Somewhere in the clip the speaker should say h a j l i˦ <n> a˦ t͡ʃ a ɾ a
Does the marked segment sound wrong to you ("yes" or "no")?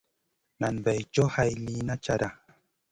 no